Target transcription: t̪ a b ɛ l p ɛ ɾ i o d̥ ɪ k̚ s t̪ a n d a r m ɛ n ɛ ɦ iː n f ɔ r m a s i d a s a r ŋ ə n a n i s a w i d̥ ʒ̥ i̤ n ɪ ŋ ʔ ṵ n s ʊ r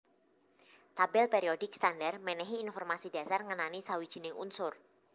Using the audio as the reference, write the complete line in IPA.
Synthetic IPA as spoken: t̪ a b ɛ l p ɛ ɾ i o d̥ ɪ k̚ s t̪ a n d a r m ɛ n ɛ ɦ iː n f ɔ r m a s i d a s a r ŋ ə n a n i s a w i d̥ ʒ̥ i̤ n ɪ ŋ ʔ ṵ n s ʊ r